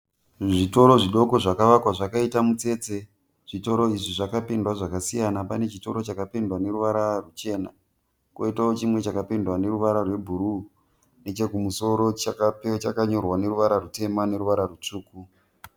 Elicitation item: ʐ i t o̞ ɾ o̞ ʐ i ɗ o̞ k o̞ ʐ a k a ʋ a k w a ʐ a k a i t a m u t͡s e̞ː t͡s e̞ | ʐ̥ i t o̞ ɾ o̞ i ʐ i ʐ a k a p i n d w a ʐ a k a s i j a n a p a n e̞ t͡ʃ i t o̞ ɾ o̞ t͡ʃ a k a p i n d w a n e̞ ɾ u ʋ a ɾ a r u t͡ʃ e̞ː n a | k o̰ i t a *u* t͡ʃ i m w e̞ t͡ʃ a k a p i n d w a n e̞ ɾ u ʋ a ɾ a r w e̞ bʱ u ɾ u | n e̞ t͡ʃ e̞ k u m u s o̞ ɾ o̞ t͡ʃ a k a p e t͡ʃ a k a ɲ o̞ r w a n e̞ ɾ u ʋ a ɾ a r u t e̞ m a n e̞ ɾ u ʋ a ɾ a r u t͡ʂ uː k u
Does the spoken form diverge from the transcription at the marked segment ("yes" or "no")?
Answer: yes